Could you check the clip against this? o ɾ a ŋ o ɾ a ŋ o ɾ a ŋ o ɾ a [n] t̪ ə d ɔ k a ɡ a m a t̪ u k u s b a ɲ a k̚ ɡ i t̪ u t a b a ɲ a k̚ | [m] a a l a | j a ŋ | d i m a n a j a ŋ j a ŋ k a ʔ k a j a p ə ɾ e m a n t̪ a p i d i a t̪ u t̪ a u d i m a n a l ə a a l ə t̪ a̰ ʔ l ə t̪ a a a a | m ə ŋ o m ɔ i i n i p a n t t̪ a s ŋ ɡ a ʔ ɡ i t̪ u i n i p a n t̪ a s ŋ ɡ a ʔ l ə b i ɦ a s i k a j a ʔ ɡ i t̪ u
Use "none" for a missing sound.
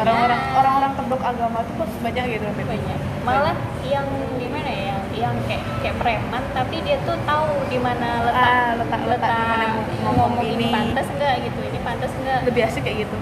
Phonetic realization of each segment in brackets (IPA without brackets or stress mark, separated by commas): ŋ, m